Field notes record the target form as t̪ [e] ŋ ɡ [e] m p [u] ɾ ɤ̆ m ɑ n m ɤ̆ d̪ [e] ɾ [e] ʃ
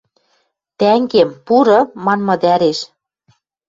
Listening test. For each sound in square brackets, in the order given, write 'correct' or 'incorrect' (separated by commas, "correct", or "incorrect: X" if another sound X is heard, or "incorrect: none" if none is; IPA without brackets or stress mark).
incorrect: æ, correct, correct, incorrect: æ, correct